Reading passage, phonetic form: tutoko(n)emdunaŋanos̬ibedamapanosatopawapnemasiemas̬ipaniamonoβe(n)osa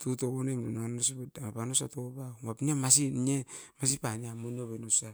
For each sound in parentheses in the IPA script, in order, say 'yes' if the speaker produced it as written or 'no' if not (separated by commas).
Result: yes, yes